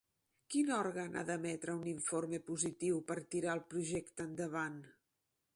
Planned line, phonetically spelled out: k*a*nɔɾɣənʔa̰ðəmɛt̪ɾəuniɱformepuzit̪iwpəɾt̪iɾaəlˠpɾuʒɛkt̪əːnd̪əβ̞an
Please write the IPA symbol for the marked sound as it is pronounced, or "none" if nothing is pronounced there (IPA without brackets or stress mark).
i